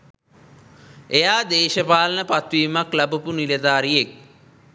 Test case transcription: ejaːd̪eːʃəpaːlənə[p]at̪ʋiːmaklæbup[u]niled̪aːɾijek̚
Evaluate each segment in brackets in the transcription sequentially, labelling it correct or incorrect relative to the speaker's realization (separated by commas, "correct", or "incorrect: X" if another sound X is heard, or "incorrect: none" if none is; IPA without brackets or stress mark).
correct, correct